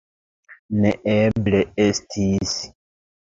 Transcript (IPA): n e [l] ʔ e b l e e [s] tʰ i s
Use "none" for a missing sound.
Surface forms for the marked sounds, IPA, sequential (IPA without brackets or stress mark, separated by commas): none, s